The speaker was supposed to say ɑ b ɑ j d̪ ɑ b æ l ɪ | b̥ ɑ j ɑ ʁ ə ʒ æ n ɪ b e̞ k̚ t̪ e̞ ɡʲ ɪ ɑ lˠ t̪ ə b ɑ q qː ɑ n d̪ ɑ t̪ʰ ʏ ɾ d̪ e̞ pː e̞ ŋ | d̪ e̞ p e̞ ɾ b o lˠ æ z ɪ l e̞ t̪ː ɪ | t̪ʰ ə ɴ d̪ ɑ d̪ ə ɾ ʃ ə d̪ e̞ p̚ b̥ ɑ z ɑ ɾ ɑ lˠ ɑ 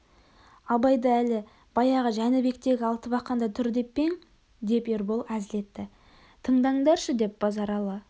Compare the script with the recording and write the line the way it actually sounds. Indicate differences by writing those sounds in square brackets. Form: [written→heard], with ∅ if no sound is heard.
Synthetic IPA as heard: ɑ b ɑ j d̪ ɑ [b→∅] æ l ɪ | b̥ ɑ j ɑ ʁ ə ʒ æ n ɪ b e̞ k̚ t̪ e̞ ɡʲ ɪ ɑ lˠ t̪ ə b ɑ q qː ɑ n d̪ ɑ t̪ʰ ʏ ɾ d̪ e̞ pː e̞ ŋ | d̪ e̞ p e̞ ɾ b o lˠ æ z ɪ l e̞ t̪ː ɪ | t̪ʰ ə ɴ d̪ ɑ d̪ [ə→ɑ] ɾ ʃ ə d̪ e̞ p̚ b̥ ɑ z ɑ ɾ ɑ lˠ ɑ